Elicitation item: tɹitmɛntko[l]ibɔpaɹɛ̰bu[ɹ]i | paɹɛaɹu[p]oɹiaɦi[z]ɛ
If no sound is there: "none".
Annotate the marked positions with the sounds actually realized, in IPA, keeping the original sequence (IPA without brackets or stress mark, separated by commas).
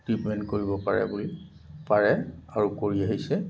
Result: ɹ, l, k, s